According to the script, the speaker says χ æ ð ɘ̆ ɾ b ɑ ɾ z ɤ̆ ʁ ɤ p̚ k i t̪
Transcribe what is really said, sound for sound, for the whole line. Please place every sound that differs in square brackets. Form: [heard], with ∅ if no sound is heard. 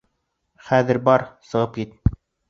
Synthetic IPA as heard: χ æ ð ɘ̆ ɾ b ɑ ɾ [s] ɤ̆ ʁ ɤ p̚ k i t̪